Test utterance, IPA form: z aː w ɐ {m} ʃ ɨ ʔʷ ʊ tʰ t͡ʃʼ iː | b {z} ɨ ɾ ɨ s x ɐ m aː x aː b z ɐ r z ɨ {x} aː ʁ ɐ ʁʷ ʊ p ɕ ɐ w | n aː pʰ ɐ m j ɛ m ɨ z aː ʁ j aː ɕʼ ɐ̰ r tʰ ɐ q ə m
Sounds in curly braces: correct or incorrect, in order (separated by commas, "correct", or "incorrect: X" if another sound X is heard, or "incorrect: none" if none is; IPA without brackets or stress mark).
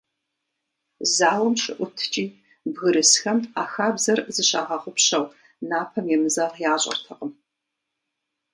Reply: correct, incorrect: ɣ, incorrect: ɕ